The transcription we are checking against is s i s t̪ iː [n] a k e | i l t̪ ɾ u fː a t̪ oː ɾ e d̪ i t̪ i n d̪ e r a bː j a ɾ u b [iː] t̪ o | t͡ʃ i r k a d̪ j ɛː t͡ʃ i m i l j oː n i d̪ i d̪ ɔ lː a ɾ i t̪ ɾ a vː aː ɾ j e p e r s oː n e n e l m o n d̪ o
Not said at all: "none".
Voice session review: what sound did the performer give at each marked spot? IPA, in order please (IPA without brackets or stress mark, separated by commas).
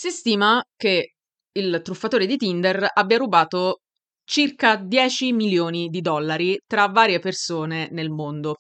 m, aː